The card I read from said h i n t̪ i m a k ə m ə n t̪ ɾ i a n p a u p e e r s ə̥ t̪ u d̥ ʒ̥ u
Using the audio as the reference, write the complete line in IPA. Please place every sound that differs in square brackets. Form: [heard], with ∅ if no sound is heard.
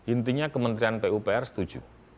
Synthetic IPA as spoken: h i n t̪ i [ɲ] a k ə m ə n t̪ ɾ i a n p [e] u p e [ɛ] r s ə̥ t̪ u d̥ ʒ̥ u